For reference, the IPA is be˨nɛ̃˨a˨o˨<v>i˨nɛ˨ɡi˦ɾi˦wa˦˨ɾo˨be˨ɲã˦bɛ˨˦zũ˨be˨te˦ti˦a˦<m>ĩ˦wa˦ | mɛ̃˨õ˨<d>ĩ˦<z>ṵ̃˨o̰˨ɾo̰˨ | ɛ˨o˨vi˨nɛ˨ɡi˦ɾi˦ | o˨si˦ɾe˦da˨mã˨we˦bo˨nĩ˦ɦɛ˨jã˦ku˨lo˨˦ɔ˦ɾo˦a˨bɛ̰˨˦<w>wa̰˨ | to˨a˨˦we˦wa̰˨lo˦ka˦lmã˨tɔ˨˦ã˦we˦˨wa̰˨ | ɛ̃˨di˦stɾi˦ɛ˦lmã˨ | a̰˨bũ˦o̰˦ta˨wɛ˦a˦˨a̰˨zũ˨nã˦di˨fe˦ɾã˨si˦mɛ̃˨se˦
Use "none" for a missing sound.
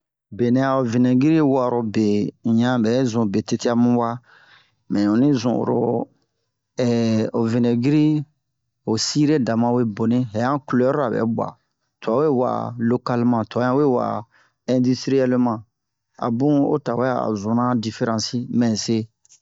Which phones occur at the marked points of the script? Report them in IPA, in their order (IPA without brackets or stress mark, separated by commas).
v, m, n, z, b